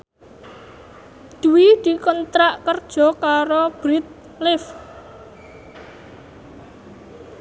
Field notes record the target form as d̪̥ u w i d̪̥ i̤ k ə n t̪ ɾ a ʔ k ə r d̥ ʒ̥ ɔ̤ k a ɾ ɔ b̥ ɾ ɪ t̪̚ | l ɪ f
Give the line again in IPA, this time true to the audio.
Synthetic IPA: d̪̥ u w i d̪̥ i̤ k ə n t̪ ɾ a ʔ k ə r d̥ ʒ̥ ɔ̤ k a ɾ o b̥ ɾ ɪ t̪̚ | l ɪ f